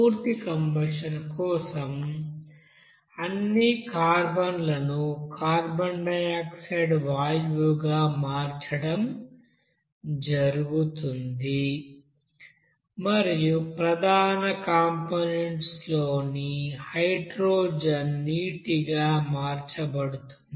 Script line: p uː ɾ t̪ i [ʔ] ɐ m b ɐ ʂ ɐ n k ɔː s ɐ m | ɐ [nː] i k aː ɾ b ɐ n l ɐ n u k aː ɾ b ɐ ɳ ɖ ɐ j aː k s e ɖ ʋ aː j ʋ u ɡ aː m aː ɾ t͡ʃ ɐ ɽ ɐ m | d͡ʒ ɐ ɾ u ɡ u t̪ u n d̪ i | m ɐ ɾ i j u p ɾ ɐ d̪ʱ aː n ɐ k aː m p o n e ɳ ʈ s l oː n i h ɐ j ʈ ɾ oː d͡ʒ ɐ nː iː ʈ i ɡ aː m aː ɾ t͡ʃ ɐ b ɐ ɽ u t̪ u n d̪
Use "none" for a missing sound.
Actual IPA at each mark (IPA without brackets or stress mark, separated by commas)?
k, nː